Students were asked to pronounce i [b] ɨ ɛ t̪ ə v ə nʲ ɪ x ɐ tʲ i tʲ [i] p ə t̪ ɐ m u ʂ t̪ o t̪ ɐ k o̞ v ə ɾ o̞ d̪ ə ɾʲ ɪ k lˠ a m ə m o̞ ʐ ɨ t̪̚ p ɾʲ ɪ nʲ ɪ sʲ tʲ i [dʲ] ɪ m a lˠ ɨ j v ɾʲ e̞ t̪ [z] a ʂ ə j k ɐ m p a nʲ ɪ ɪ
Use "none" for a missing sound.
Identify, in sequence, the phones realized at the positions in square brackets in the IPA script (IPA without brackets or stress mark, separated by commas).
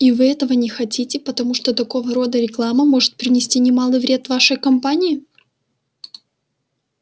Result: v, ɪ, nʲ, v